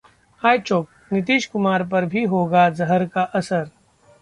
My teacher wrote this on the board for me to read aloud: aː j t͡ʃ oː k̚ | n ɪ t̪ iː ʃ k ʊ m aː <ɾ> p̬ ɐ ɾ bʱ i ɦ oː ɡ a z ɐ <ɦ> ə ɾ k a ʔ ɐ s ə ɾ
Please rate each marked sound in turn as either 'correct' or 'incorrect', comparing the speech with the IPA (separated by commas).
correct, correct